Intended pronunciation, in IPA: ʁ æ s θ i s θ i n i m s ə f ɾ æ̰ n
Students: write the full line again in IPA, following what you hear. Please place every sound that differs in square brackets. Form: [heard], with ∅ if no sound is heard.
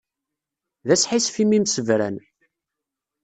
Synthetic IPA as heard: [ð] æ s [ħ] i s [f] i [m] i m s ə [v] ɾ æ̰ n